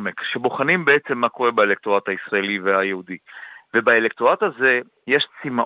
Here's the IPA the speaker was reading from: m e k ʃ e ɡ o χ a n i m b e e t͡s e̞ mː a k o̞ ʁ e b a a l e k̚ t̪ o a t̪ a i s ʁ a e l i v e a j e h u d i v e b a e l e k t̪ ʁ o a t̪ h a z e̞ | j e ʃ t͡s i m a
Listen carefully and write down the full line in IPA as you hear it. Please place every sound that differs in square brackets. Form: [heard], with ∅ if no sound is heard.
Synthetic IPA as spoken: m e k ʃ e [b] o χ a n i m b e e t͡s e̞ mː a k o̞ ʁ e b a [e] l e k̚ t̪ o a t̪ a i s ʁ a e l i v e a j e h u d i v e b a e l e k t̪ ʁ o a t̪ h a z e̞ | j e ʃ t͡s i m a